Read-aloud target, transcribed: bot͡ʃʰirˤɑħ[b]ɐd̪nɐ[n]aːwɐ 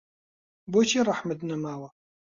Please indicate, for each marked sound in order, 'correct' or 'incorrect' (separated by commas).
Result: incorrect, incorrect